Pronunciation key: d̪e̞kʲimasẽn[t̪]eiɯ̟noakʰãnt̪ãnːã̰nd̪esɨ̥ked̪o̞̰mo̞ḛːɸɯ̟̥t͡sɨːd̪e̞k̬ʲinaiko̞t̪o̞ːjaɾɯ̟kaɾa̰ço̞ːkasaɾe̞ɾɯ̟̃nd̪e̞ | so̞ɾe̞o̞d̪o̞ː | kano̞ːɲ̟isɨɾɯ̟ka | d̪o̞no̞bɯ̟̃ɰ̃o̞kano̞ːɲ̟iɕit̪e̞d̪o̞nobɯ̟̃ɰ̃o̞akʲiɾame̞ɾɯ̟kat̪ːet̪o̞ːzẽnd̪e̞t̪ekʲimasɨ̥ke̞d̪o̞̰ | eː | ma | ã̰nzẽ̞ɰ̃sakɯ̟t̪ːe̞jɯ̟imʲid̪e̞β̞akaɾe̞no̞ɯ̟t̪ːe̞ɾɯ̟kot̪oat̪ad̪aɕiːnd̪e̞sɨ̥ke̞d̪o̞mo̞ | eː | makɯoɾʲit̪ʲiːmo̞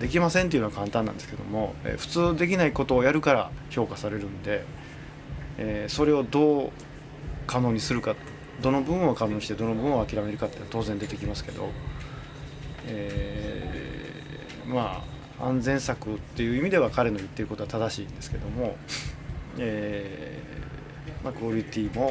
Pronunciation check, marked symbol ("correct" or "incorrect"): correct